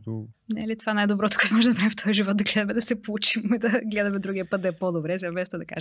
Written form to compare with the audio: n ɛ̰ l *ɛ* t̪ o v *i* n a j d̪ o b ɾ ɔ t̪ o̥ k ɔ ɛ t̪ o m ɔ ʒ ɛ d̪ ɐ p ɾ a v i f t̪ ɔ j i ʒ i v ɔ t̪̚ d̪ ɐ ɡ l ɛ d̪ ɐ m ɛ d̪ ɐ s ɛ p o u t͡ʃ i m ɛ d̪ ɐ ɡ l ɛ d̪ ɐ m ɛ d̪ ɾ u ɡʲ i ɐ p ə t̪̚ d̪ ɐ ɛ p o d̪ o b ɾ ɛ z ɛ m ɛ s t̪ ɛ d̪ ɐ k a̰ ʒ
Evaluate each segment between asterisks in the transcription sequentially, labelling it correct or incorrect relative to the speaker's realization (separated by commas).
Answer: incorrect, incorrect